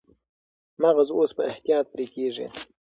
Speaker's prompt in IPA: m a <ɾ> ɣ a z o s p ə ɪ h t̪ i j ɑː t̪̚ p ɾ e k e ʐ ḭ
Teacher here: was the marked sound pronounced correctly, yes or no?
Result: no